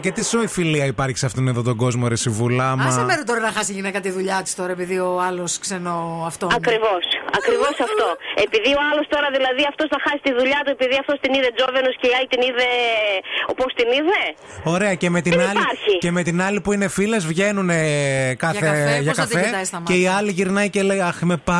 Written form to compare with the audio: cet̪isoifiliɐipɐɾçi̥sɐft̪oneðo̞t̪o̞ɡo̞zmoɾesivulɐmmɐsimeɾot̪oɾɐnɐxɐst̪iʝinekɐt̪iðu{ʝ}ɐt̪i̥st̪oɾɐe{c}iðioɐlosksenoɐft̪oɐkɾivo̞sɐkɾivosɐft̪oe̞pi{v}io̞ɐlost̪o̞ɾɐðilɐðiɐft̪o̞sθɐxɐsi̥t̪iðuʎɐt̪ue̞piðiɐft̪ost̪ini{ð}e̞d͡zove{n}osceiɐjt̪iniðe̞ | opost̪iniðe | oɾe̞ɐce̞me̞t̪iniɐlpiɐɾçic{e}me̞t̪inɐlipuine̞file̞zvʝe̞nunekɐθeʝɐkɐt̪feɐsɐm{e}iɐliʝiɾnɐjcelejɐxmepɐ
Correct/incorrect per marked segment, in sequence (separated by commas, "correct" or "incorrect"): incorrect, incorrect, incorrect, correct, correct, correct, correct